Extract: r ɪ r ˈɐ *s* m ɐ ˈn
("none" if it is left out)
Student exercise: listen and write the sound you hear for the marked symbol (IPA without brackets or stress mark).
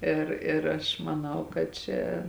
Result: ʃ